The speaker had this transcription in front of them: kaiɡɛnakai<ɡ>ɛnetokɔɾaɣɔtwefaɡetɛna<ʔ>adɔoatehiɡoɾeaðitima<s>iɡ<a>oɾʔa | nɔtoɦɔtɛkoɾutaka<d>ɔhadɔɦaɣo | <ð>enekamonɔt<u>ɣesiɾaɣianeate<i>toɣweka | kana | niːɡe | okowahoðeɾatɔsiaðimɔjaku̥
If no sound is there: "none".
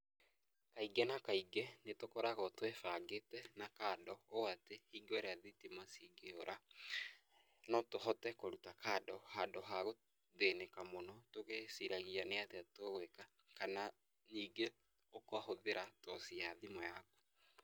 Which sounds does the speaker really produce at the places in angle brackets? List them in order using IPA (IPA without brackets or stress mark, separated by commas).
ɡ, k, s, e, d, ð, o, a